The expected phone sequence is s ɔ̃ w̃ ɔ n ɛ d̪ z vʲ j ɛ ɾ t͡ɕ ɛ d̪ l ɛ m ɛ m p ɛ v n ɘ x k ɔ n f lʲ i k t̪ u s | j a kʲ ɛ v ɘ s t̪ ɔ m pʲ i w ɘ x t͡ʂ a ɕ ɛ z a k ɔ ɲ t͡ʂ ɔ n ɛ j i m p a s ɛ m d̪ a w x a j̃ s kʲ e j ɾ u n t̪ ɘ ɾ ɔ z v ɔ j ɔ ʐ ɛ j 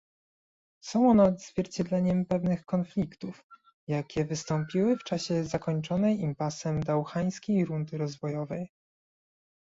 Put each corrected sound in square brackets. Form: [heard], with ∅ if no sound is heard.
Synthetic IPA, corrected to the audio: s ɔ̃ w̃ ɔ n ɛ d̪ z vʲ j ɛ ɾ t͡ɕ ɛ d̪ l ɛ [ɲ] ɛ m p ɛ v n ɘ x k ɔ n f lʲ i k t̪ u [f] | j a kʲ ɛ v ɘ s t̪ ɔ m pʲ i w ɘ [f] t͡ʂ a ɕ ɛ z a k ɔ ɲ t͡ʂ ɔ n ɛ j i m p a s ɛ m d̪ a w x a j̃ s kʲ e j ɾ u n [d̪] ɘ ɾ ɔ z v ɔ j ɔ [v] ɛ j